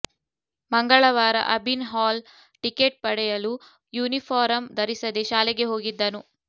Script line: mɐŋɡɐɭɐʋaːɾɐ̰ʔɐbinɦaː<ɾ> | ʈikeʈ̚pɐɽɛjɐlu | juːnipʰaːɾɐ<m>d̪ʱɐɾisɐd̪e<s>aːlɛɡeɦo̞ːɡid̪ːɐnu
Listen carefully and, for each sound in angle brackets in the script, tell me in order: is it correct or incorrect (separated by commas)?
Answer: incorrect, correct, incorrect